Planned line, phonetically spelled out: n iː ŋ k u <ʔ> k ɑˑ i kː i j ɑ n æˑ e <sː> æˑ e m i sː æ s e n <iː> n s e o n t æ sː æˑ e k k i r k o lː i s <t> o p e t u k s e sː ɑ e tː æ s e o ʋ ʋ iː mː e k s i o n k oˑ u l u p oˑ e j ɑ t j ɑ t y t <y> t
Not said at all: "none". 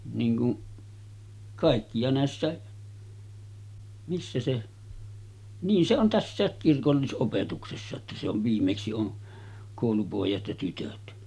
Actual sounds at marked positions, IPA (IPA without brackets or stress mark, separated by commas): ʔ, sː, iː, ʔ, ø